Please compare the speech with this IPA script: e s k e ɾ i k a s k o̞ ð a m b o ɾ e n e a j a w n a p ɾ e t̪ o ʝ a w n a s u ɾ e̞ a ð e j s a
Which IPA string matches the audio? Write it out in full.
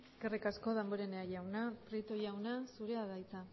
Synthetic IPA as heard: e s k e r i k a s k o̞ ð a m b o ɾ e n e a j a w n a p ɾ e t̪ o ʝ a w n a s u ɾ e̞ a ð a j t͡s a